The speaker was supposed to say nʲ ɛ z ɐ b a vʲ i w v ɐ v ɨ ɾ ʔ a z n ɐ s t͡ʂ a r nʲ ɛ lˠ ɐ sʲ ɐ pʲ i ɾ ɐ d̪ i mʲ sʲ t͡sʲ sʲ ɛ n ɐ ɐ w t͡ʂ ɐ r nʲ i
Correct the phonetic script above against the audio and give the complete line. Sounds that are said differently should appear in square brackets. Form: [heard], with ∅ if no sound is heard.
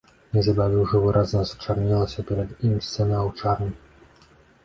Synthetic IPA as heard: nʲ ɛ z ɐ b a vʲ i w [ʐ] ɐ v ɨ ɾ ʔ a z n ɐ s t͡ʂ a r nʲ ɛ lˠ ɐ sʲ ɐ pʲ [ɛ] ɾ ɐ d̪ i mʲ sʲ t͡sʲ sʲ ɛ n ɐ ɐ w t͡ʂ [a] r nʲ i